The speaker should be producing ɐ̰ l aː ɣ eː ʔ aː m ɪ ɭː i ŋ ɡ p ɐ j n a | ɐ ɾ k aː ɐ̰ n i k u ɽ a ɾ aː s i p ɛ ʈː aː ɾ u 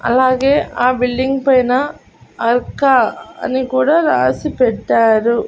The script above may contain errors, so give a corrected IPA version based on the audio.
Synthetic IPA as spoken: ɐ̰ l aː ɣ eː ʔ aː b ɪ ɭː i ŋ ɡ p ɐ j n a | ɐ ɾ k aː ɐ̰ n i k uː ɽ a ɾ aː s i p ɛ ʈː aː ɾ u

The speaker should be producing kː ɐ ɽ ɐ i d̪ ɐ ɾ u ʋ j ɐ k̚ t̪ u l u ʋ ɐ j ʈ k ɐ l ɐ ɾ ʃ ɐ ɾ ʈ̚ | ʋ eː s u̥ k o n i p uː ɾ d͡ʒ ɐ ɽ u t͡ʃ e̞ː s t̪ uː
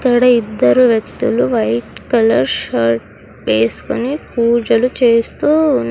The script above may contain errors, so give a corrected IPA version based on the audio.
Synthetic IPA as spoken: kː ɐ ɽ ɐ i d̪ː ɐ ɾ u ʋ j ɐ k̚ t̪ u l u ʋ ɐ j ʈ k ɐ l ɐ ɾ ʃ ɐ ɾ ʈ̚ | ʋ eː s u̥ k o n i p uː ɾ d͡ʒ ɐ l u t͡ʃ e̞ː s t̪ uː

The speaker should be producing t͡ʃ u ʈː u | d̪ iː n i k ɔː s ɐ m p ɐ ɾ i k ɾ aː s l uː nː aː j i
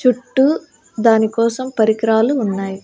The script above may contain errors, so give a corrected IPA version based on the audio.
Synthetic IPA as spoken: t͡ʃ u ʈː u | d̪ aː n i k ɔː s ɐ m p ɐ ɾ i k ɾ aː l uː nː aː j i

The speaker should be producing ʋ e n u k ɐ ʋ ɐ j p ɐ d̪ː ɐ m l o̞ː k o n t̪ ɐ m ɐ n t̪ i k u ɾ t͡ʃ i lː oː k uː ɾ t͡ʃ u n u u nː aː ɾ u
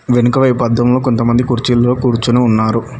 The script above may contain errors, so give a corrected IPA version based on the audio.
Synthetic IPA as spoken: ʋ e n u k ɐ ʋ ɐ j p ɐ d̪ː ɐ m l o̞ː k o n t̪ ɐ m ɐ n d̪ i k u ɾ t͡ʃ i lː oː k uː ɾ t͡ʃ u n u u nː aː ɾ u

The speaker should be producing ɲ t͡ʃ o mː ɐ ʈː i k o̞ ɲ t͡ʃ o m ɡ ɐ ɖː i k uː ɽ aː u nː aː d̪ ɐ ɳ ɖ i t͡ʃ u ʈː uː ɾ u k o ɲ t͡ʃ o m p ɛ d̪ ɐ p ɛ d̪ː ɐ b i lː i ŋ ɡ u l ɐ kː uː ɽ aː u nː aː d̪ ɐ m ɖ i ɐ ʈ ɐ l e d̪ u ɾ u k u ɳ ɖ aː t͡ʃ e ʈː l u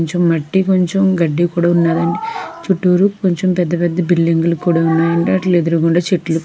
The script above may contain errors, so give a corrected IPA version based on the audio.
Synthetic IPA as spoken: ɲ t͡ʃ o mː ɐ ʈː i k o̞ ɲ t͡ʃ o m ɡ ɐ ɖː i k uː ɽ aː u nː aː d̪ ɐ ɳ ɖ i t͡ʃ u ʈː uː ɾ u k o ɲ t͡ʃ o m p ɛ d̪ː ɐ p ɛ d̪ː ɐ b i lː i ŋ ɡ u l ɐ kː uː ɽ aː u nː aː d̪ ɐ ɳ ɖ i ɐ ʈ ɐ l e d̪ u ɾ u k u ɳ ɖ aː t͡ʃ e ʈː l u

